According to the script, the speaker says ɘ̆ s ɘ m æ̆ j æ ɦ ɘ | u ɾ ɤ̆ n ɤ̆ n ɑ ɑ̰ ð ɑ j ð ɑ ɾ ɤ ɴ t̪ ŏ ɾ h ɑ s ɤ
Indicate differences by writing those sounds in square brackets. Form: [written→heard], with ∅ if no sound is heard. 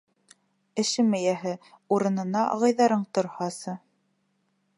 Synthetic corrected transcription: ɘ̆ [s→ʃ] ɘ m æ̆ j æ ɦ ɘ | u ɾ ɤ̆ n ɤ̆ n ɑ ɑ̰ [ð→ʁ] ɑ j ð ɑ ɾ ɤ ɴ t̪ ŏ ɾ h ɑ s ɤ

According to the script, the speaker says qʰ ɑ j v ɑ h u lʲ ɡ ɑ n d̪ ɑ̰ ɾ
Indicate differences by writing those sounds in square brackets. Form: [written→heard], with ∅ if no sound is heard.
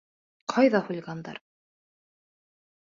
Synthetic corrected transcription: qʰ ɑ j [v→ð] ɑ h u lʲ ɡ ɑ n d̪ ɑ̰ ɾ

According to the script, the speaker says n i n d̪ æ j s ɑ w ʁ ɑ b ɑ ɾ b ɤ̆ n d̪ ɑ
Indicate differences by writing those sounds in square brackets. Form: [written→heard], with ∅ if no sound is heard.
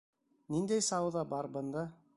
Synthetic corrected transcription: n i n d̪ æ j s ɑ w [ʁ→ð] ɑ b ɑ ɾ b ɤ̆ n d̪ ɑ

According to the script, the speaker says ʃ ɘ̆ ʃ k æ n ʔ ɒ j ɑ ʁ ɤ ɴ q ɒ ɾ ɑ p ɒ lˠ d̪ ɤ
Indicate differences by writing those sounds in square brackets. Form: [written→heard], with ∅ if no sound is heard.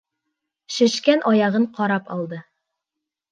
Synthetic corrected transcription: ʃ ɘ̆ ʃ k æ n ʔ ɒ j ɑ ʁ ɤ ɴ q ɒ ɾ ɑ p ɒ lˠ d̪ ɤ

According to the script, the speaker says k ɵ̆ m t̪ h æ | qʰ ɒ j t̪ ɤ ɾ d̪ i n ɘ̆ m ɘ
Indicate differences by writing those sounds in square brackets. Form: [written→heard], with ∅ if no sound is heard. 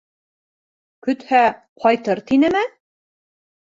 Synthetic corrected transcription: k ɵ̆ [m→∅] t̪ h æ | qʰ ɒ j t̪ ɤ ɾ [d̪→t̪] i n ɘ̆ m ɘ

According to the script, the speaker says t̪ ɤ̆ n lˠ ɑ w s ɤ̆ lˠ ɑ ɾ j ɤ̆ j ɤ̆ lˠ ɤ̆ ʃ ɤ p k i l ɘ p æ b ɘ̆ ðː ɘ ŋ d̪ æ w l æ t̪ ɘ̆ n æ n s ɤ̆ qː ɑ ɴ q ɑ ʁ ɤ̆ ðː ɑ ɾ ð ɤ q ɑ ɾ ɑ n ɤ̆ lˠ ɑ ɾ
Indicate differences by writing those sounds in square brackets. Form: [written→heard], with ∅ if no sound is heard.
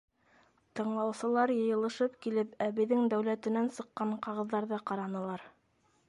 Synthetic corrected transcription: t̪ ɤ̆ [n→ɴ] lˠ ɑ w s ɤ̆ lˠ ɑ ɾ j ɤ̆ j ɤ̆ lˠ ɤ̆ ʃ ɤ p k i l ɘ p æ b ɘ̆ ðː ɘ ŋ d̪ æ w l æ t̪ ɘ̆ n æ n s ɤ̆ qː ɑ ɴ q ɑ ʁ ɤ̆ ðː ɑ ɾ ð ɤ q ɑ ɾ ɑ n ɤ̆ lˠ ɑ ɾ

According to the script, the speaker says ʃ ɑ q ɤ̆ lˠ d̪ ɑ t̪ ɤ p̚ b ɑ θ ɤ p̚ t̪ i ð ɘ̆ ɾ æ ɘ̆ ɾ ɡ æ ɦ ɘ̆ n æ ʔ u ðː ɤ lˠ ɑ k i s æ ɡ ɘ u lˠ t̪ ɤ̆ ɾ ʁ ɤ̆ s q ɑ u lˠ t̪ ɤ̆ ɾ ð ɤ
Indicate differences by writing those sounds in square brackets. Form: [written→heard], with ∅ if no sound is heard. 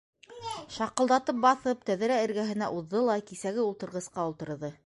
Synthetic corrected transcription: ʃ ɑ q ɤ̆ lˠ d̪ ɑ t̪ ɤ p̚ b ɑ θ ɤ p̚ t̪ [i→æ] ð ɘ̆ ɾ æ ɘ̆ ɾ ɡ æ ɦ ɘ̆ n æ ʔ u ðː ɤ lˠ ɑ k i s æ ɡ ɘ u lˠ t̪ ɤ̆ ɾ ʁ ɤ̆ s q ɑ u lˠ t̪ ɤ̆ ɾ ð ɤ

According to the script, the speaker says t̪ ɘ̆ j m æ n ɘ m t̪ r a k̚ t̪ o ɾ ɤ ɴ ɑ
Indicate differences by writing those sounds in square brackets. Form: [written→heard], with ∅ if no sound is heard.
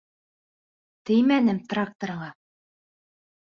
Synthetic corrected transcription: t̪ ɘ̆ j m æ n ɘ m t̪ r a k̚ t̪ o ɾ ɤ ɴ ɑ

